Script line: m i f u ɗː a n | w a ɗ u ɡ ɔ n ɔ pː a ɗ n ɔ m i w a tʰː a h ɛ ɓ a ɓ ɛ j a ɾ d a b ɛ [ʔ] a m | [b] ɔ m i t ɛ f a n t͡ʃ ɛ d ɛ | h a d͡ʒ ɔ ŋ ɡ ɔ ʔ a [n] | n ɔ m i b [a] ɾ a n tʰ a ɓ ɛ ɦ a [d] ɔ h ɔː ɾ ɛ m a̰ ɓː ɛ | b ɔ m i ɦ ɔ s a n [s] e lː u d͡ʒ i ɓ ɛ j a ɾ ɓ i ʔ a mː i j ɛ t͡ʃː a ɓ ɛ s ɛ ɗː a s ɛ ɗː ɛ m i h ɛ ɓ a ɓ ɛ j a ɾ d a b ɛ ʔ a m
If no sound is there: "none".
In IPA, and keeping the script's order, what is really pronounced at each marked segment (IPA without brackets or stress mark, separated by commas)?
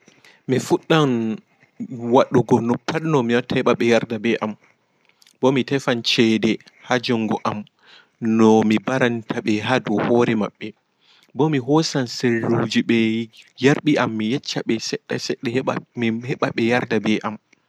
ʔ, b, m, a, d, s